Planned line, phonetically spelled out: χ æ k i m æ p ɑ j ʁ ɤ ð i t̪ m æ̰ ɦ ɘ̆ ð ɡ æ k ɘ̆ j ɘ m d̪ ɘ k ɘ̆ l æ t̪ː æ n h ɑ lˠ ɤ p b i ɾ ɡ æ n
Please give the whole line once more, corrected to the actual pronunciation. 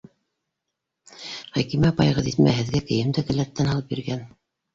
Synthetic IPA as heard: χ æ k i m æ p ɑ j ʁ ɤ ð i t̪ m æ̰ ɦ ɘ̆ ð ɡ æ k ɘ̆ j ɘ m d̪ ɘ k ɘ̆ l æ t̪ː æ n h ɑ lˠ ɤ p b i ɾ ɡ æ n